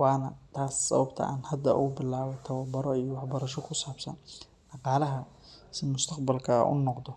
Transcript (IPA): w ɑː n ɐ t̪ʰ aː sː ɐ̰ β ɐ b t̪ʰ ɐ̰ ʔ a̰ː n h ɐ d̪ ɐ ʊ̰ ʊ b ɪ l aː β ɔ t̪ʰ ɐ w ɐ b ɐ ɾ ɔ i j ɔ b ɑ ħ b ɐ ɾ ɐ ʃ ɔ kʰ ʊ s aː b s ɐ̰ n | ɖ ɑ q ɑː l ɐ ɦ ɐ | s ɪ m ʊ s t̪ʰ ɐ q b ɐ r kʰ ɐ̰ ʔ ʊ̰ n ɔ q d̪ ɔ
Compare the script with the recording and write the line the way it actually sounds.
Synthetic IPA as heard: w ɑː n ɐ t̪ʰ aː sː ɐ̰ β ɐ b t̪ʰ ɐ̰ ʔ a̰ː n h ɐ d̪ ɐ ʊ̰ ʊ b ɪ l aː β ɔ t̪ʰ ɐ w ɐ b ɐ ɾ ɔ i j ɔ w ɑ ħ b ɐ ɾ ɐ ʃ ɔ kʰ ʊ s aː b s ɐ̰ n | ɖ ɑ q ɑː l ɐ ɦ ɐ | s ɪ m ʊ s t̪ʰ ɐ q b ɐ l kʰ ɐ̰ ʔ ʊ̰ n ɔ q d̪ ɔ